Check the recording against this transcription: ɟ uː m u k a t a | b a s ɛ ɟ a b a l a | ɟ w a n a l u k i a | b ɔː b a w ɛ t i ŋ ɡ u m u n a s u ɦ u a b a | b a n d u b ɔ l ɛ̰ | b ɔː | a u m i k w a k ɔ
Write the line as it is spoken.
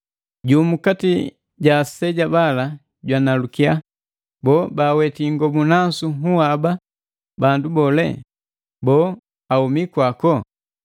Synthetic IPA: ɟ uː m u k a t i | ɟ a s ɛ ɟ a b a l a | ɟ w a n a l u k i a | b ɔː b a w ɛ t i ŋ ɡ ɔ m u n a s u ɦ u a b a | b a n d u b ɔ l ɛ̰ | b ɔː | a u m i k w a k ɔ